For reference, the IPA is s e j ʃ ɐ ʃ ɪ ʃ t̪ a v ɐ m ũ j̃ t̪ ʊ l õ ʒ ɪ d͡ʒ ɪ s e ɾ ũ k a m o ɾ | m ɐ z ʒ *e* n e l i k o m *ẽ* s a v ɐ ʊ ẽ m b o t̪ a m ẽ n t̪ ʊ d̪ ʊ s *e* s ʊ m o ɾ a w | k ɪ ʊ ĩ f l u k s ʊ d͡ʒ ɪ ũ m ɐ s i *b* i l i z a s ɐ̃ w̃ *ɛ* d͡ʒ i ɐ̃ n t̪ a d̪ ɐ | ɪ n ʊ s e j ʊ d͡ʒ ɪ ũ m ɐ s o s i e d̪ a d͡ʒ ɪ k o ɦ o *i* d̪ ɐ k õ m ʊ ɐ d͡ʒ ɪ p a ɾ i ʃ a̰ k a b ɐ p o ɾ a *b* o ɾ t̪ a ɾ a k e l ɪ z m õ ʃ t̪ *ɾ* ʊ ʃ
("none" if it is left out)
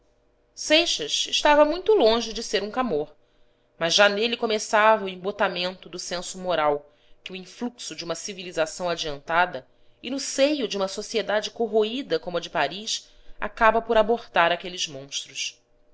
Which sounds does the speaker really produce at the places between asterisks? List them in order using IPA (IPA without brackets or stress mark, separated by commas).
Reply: a, e, ẽ, v, a, i, b, ɾ